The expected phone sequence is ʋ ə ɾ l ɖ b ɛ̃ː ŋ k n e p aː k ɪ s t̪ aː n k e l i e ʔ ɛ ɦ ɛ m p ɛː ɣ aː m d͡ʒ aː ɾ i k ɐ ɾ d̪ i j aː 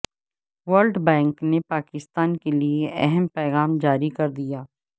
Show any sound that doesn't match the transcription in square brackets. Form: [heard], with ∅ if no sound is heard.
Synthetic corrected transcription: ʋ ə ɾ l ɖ b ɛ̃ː ŋ k n e p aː k ɪ s t̪ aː n k e l i e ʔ ɛ ɦ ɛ m p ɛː ɣ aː m d͡ʒ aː ɾ i k ɐ ɾ d̪ i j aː